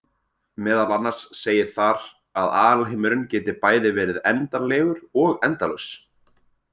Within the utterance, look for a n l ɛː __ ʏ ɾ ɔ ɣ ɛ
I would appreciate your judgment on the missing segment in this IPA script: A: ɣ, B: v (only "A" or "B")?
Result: A